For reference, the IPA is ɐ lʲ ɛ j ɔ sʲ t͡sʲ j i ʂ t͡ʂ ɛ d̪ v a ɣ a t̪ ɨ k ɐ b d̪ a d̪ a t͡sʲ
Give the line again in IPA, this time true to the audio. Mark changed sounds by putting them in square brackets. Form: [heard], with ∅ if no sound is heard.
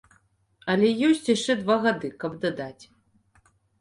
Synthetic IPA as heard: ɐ lʲ ɛ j ɔ sʲ t͡sʲ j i ʂ t͡ʂ ɛ d̪ v a ɣ a [d̪] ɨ k ɐ b d̪ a d̪ a t͡sʲ